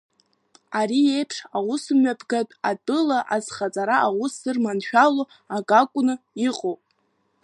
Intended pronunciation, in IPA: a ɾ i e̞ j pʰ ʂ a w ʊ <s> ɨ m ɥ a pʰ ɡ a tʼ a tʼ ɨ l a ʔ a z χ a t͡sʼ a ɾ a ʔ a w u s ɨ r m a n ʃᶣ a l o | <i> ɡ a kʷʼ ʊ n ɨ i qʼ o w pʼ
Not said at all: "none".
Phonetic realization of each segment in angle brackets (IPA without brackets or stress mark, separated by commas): s, a